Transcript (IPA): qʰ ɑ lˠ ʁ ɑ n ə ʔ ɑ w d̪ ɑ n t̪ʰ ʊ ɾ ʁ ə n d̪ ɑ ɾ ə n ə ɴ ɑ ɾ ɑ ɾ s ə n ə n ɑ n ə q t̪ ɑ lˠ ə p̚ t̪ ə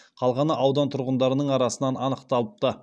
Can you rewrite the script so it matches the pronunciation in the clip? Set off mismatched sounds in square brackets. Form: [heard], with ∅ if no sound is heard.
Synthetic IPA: qʰ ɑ lˠ ʁ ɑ n ə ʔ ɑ w d̪ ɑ n t̪ʰ ʊ ɾ ʁ ə n d̪ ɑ ɾ ə n ə ɴ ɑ ɾ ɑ [∅] s ə n [ɑ] n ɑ n ə q t̪ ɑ lˠ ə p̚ t̪ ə